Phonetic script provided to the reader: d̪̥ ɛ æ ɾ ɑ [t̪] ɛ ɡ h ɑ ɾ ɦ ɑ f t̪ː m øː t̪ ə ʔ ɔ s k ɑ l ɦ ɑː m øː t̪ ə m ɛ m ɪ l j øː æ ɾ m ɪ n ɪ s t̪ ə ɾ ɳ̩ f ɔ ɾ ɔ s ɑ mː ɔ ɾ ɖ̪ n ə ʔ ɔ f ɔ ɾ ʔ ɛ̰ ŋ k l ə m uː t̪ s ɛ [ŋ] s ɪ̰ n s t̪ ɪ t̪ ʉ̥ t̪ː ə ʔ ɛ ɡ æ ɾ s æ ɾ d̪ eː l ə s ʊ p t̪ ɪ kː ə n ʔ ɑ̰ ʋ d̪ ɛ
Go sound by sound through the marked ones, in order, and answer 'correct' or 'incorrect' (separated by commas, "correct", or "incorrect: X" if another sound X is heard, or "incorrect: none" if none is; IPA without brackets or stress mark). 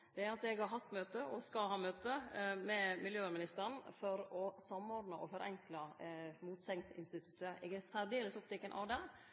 correct, correct